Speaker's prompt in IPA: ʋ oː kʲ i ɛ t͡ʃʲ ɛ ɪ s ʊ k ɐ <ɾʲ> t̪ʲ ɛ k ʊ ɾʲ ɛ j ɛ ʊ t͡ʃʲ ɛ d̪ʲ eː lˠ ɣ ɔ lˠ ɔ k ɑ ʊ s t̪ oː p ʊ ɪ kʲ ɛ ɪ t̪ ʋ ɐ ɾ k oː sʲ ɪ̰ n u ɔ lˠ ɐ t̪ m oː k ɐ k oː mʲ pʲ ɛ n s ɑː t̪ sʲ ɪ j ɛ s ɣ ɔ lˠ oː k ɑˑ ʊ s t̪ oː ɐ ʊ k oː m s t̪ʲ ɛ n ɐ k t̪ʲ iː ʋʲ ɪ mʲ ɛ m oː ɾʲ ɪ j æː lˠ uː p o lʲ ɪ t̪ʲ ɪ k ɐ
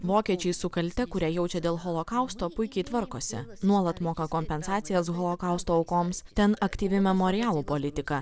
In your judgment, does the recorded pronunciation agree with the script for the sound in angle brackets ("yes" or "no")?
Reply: no